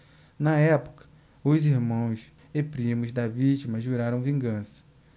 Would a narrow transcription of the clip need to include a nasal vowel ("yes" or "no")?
yes